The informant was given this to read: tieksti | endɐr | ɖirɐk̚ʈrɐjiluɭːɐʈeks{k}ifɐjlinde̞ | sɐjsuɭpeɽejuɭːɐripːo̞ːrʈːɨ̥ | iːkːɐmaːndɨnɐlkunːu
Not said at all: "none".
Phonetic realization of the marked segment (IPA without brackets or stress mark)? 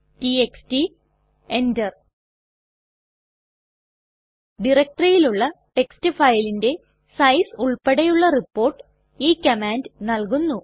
t